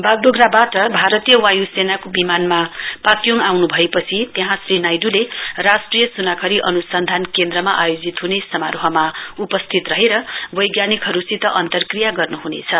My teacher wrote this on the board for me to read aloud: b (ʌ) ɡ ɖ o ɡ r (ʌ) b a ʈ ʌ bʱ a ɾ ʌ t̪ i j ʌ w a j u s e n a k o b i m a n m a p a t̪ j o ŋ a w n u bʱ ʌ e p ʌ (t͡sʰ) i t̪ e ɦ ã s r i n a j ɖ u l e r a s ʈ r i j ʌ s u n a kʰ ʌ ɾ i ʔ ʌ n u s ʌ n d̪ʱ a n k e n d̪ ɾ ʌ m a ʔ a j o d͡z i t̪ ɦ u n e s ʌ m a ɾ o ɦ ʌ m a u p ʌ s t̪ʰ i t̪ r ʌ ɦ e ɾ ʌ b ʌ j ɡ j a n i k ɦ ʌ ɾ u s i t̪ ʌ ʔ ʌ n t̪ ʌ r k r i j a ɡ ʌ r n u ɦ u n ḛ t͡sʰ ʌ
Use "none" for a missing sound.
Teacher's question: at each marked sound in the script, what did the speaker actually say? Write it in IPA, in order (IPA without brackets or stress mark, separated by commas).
a, a, t͡sʰ